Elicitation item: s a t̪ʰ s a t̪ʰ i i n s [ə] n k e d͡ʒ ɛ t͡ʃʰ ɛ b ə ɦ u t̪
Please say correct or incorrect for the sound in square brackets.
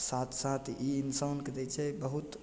incorrect